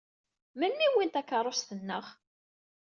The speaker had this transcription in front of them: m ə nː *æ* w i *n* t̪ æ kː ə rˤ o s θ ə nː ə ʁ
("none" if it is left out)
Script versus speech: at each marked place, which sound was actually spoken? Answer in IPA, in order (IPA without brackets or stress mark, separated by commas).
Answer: i, n